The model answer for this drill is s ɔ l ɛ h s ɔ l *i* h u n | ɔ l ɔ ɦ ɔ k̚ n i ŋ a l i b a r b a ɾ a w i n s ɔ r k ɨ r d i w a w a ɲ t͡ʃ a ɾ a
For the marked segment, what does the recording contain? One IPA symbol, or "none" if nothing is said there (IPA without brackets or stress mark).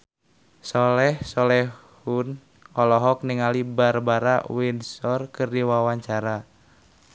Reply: ɛ